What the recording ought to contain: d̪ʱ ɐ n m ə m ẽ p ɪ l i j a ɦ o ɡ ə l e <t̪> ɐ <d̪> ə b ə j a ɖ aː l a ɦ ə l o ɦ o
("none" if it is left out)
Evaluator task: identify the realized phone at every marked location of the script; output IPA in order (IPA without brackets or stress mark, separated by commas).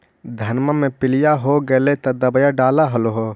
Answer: t̪, d̪